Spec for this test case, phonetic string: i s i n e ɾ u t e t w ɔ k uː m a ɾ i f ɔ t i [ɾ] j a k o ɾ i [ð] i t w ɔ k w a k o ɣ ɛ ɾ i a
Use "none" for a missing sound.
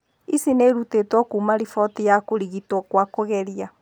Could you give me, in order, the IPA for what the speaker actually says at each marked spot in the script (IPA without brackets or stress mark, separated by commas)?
none, ɣ